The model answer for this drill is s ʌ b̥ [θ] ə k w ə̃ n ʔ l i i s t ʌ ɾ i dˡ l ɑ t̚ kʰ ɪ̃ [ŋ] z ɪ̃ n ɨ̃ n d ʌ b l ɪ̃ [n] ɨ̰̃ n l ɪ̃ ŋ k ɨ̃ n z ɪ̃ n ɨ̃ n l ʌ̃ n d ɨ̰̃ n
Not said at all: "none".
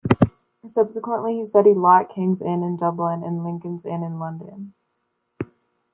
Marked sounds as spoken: s, ŋ, n

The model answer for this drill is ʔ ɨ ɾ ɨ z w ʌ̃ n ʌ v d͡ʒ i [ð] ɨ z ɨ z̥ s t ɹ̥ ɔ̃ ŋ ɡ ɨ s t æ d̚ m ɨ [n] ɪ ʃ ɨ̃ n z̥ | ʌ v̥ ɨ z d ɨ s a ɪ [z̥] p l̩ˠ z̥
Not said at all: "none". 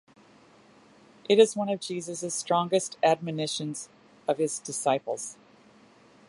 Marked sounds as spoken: z, n, none

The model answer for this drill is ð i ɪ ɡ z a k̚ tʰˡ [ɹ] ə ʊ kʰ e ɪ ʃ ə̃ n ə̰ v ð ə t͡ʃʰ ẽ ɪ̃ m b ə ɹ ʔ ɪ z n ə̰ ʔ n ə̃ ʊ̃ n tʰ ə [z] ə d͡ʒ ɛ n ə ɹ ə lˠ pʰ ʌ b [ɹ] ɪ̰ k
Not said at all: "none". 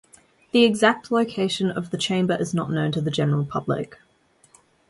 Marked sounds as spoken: l, ð, l

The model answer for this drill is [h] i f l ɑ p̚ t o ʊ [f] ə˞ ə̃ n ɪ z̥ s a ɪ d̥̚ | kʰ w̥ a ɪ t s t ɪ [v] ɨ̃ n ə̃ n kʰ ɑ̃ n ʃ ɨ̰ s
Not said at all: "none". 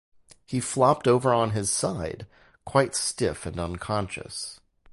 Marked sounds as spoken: h, v, f

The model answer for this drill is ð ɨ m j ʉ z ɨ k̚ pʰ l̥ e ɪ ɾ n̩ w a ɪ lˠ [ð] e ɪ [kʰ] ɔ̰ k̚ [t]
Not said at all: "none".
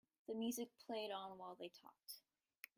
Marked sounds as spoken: ð, tʰ, t

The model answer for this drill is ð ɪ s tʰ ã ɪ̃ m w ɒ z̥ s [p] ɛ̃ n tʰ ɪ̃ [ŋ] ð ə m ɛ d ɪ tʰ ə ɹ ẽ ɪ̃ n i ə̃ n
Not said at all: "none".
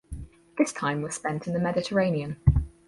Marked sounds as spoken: p, n

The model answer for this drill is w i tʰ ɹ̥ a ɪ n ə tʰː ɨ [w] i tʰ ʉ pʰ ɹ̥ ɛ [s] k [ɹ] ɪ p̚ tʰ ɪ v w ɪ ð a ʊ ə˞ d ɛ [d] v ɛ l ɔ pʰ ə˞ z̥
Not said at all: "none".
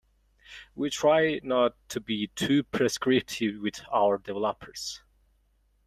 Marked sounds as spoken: b, s, ɹ, none

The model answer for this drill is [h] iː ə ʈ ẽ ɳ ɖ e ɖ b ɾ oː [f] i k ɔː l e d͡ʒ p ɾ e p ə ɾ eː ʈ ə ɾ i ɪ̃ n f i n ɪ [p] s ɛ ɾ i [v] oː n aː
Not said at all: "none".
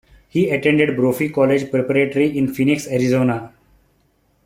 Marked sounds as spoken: h, f, k, z

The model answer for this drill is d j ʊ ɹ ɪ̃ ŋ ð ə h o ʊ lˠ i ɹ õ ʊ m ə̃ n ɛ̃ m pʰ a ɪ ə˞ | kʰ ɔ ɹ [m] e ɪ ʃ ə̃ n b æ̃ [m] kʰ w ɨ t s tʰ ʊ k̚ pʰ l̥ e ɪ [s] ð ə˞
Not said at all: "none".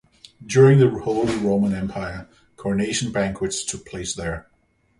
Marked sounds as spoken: n, ŋ, s

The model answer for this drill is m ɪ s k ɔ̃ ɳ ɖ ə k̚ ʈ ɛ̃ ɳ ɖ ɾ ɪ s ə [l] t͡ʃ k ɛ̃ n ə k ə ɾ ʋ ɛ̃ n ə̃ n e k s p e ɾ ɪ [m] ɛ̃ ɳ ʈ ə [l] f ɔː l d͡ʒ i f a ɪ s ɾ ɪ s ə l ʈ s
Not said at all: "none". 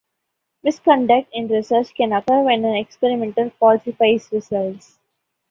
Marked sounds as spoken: ɾ, m, l

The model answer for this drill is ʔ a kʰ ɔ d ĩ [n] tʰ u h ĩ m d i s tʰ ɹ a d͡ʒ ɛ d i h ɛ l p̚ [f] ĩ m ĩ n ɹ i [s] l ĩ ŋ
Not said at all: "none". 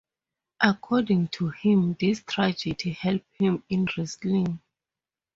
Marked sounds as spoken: ŋ, h, s

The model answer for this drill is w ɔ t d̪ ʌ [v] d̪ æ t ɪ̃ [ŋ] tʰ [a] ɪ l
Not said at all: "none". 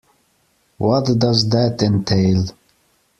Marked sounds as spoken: z, n, e

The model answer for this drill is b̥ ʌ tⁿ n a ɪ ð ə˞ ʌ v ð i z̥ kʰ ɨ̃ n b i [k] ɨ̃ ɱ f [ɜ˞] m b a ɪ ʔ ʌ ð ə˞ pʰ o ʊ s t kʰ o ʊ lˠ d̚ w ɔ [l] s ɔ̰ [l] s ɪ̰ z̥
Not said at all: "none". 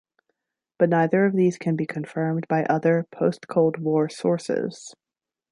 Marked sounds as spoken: kʰ, ɜ̃˞, ɹ, ɹ

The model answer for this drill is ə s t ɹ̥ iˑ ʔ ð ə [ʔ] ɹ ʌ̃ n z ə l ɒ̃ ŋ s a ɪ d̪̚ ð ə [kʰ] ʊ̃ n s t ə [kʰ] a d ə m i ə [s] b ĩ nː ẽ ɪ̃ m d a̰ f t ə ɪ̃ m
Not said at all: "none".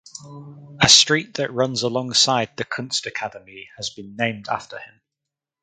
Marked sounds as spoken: ʔ, kʰ, kʰ, z

